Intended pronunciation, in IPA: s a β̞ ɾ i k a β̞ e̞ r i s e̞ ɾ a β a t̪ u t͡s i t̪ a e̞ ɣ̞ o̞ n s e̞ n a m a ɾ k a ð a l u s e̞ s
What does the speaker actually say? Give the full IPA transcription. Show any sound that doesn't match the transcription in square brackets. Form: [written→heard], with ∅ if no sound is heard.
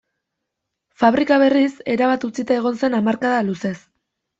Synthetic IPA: [s→f] a β̞ ɾ i k a β̞ e̞ r i s e̞ ɾ a β a t̪ u t͡s i t̪ a e̞ ɣ̞ o̞ n s e̞ n a m a ɾ k a ð a l u s e̞ s